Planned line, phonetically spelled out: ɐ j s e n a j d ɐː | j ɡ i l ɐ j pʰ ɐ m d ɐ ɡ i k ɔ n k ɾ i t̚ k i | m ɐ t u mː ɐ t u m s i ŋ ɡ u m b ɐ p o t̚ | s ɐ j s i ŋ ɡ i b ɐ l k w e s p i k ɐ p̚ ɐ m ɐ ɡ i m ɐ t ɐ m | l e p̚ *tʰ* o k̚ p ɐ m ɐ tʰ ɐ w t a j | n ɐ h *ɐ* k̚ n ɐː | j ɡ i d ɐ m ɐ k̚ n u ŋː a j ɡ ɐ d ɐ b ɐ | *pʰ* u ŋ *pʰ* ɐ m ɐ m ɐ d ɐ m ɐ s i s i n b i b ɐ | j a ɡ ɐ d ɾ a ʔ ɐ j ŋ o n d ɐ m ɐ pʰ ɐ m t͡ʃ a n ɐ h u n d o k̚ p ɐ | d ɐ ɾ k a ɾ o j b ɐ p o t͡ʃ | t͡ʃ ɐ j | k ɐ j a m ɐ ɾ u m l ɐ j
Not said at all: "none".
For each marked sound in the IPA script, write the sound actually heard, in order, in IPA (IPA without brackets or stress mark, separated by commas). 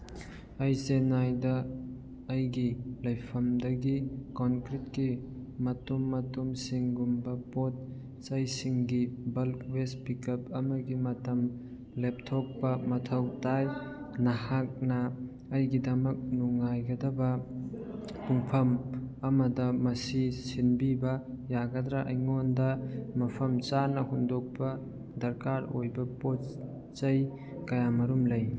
tʰ, a, p, pʰ